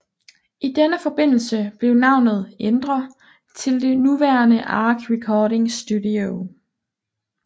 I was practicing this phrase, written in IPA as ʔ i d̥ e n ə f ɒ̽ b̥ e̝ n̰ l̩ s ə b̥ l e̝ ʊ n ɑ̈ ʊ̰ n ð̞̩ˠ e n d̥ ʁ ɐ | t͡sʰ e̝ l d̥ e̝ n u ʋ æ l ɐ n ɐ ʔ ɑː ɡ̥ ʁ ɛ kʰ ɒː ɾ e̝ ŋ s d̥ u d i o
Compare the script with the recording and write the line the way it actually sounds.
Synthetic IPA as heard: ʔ i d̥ e n ə f ɒ̽ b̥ e̝ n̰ l̩ s ə b̥ l e̝ ʊ n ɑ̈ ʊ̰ n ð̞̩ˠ e n d̥ ʁ ɐ | t͡sʰ e̝ l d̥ e̝ n u ʋ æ ɐ n ə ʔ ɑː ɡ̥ ʁ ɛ kʰ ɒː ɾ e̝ ŋ s d̥ u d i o

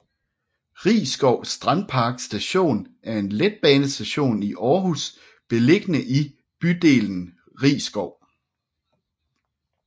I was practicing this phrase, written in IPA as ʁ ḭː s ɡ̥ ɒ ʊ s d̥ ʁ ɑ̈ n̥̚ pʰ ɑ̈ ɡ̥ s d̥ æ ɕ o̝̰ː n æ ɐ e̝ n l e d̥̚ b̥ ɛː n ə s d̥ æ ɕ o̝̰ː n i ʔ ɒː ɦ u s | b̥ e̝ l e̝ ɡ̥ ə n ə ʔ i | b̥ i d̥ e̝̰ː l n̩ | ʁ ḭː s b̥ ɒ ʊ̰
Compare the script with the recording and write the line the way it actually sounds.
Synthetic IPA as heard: ʁ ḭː s ɡ̥ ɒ ʊ s d̥ ʁ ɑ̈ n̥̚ pʰ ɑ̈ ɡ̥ s d̥ æ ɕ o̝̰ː n æ ɐ e̝ n l e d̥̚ b̥ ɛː n ə s d̥ æ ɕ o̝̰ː n i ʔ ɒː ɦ u s | b̥ e̝ l e̝ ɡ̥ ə n ə ʔ i | b̥ y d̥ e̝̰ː l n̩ | ʁ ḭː s ɡ̥ ɒ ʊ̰

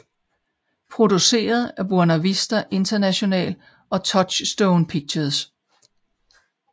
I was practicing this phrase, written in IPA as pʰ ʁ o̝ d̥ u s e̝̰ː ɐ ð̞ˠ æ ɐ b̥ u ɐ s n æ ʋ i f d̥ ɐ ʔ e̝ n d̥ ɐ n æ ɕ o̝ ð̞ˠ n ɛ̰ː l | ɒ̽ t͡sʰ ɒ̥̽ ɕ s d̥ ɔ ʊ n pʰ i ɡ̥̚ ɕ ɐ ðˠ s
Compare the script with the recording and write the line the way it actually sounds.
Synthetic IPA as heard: pʰ ʁ o̝ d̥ u s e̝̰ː ɐ ð̞ˠ æ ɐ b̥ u ɐ n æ ʋ i s d̥ ɐ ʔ e̝ n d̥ ɐ n æ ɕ o̝ n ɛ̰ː l | ɒ̽ t͡sʰ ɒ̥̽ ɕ s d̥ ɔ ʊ n pʰ i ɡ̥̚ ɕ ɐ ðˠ s

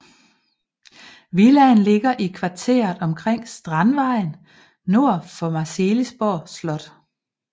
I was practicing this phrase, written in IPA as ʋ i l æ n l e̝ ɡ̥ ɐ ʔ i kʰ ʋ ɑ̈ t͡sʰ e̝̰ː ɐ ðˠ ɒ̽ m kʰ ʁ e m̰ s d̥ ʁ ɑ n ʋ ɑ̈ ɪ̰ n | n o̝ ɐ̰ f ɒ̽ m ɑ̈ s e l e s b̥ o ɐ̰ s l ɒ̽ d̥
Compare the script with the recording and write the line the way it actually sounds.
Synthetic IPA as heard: ʋ i l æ n l e̝ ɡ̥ ɐ ʔ i kʰ ʋ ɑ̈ t͡sʰ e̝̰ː ɐ ðˠ ɒ̽ m kʰ ʁ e ŋ̰ s d̥ ʁ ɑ n ʋ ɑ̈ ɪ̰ n | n o̝ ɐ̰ f ɒ̽ m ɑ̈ s e l i s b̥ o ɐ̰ s l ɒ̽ d̥

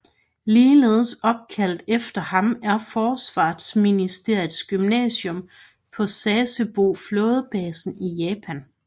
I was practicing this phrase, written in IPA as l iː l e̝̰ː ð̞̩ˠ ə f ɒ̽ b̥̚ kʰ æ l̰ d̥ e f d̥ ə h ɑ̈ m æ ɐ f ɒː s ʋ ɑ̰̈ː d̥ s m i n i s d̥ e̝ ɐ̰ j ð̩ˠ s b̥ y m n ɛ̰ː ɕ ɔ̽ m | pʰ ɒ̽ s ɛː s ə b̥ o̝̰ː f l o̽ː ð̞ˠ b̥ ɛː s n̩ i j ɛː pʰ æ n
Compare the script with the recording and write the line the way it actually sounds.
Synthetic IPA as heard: l iː l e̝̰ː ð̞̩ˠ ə s ɒ̽ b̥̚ kʰ æ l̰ d̥ e f d̥ ɐ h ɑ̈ m æ ɐ f ɒː s ʋ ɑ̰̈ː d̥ s m i n i s d̥ e̝ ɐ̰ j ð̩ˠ s ɡ̥ y m n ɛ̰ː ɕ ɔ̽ m | pʰ ɒ̽ s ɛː s ə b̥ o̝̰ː f l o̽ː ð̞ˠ b̥ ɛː s n̩ i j ɛː pʰ æ n

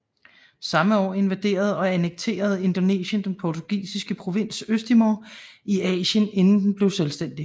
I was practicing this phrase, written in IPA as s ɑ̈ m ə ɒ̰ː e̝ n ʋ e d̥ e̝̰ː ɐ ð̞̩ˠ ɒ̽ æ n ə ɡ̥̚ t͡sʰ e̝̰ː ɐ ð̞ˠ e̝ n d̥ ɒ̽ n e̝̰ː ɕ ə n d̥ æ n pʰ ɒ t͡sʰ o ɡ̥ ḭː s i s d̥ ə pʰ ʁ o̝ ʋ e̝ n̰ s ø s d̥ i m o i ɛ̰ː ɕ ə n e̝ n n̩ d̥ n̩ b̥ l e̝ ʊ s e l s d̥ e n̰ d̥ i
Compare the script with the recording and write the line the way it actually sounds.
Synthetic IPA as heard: s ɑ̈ m ə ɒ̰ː e̝ n ʋ æ d̥ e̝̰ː ɐ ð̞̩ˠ ɒ̽ æ n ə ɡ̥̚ t͡sʰ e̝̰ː ɐ ð̞ˠ e̝ n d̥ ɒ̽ n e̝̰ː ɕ ə n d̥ e n pʰ ɒ t͡sʰ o ɡ̥ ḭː s i s ɡ̥ ə pʰ ʁ o̝ ʋ e̝ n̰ s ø s d̥ i m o i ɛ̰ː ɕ ə n e̝ n n̩ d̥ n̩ b̥ l e̝ ʊ s e l s d̥ e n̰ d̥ i

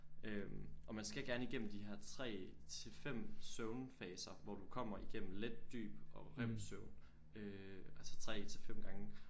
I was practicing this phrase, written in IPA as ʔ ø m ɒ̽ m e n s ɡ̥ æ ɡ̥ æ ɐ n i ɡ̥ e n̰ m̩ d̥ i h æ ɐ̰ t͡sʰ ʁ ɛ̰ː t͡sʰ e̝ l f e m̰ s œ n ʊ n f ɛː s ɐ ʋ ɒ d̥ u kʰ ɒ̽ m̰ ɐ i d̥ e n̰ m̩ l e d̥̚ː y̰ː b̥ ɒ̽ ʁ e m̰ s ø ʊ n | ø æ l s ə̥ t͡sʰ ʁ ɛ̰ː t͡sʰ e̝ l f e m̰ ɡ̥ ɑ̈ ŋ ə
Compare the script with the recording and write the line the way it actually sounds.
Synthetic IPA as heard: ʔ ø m ɒ̽ m æ n s ɡ̥ æ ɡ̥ æ ɐ n i ɡ̥ e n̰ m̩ d̥ i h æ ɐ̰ t͡sʰ ʁ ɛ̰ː t͡sʰ e̝ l f e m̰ s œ ʊ n f ɛː s ɐ ʋ ɒ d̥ u kʰ ɒ̽ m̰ ɐ i ɡ̥ e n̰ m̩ l e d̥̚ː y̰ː b̥ ɒ̽ ʁ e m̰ s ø ʊ n | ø æ l s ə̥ t͡sʰ ʁ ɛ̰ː t͡sʰ e̝ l f e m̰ ɡ̥ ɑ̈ ŋ ə

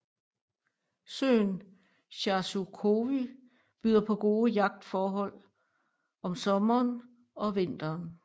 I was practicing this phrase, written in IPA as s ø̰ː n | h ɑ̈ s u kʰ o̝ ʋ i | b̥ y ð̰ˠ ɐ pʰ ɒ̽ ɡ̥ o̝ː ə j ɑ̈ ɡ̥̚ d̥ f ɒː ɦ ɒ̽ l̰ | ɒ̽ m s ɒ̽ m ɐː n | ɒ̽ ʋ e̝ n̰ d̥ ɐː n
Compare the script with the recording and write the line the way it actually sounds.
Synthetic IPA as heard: s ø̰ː n | ɕ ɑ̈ s u kʰ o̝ ʋ i | b̥ y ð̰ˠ ɐ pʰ ɒ̽ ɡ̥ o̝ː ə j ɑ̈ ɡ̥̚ d̥ f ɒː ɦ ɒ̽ l̰ | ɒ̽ m s ɒ̽ m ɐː n | ɒ̽ ʋ e̝ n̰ d̥ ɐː n

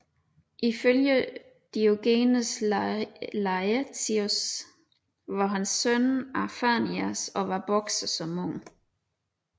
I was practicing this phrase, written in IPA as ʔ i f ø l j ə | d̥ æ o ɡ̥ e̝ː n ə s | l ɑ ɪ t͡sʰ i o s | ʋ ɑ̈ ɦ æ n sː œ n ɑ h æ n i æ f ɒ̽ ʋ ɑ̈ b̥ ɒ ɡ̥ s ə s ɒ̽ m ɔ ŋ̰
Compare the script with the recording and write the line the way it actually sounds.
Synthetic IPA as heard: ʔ i f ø l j ə | d̥ i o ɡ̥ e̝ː n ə s | l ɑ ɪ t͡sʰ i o s | ʋ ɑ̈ ɦ æ n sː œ n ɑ f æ n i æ s ɒ̽ ʋ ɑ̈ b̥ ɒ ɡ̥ s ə s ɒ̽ m ɔ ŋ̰

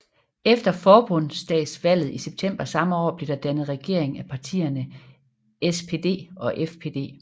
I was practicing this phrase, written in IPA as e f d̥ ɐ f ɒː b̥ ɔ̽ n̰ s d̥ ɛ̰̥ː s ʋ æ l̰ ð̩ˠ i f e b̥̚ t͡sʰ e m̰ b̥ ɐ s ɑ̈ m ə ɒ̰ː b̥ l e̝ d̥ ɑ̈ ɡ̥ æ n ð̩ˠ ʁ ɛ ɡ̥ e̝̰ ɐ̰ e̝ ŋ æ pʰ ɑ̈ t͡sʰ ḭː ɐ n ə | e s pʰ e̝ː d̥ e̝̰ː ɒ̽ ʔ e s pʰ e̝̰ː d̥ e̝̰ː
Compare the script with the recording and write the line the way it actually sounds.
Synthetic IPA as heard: e f d̥ ɐ f ɒː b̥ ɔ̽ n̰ s d̥ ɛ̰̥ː s ʋ æ l̰ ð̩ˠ i s e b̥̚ t͡sʰ e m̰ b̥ ɐ s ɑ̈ m ə ɒ̰ː b̥ l e̝ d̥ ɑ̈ d̥ æ n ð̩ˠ ʁ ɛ ɡ̥ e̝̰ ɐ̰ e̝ ŋ æ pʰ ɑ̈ t͡sʰ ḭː ɐ n ə | e s pʰ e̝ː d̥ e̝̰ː ɒ̽ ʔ e f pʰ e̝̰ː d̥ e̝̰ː

